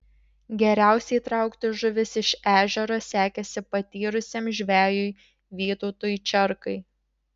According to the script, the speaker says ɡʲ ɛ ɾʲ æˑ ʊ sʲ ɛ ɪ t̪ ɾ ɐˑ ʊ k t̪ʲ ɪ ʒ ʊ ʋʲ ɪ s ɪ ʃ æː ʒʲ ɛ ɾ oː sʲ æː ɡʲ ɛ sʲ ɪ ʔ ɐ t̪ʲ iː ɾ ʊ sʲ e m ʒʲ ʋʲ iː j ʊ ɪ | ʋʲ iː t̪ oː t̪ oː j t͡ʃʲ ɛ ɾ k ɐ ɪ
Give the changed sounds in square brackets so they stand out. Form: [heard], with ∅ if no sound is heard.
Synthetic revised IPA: ɡʲ ɛ ɾʲ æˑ ʊ sʲ ɛ ɪ t̪ ɾ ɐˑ ʊ k t̪ʲ ɪ ʒ ʊ ʋʲ ɪ s ɪ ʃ æː ʒʲ ɛ ɾ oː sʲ æː [kʲ] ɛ sʲ ɪ [p] ɐ t̪ʲ iː ɾ ʊ sʲ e m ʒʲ ʋʲ [æː] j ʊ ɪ | ʋʲ iː t̪ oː t̪ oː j t͡ʃʲ ɛ ɾ k ɐ ɪ